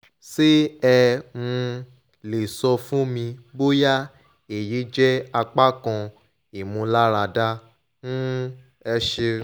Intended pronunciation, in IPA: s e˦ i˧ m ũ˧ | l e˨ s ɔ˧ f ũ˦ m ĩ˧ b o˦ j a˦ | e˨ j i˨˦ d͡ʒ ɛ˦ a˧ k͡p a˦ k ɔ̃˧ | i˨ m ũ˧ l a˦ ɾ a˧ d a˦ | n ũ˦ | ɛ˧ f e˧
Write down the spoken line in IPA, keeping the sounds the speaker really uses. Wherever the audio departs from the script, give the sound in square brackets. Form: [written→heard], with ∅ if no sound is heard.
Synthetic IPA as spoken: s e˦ [i˧→ɛ˧] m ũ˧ | l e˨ s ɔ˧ f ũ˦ m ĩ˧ b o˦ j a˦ | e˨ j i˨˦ d͡ʒ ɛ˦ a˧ k͡p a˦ k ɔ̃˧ | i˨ m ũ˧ l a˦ ɾ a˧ d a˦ | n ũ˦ | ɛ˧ [f→ʃ] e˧